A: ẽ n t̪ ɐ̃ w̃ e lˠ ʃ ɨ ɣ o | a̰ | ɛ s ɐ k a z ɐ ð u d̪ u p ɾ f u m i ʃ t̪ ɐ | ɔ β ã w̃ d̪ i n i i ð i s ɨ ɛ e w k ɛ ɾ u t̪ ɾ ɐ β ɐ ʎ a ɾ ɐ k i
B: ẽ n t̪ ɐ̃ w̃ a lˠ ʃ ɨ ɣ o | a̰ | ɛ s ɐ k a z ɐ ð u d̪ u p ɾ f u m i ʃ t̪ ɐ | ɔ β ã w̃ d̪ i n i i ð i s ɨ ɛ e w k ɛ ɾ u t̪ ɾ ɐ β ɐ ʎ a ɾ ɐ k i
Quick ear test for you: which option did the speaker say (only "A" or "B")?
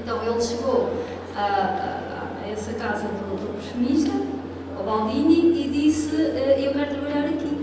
A